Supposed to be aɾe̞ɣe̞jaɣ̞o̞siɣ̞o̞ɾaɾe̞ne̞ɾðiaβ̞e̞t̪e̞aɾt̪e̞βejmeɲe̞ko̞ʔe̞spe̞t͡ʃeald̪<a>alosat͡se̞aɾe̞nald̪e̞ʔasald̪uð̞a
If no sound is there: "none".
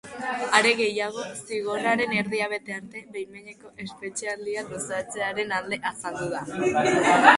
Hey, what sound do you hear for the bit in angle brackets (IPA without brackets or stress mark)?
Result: i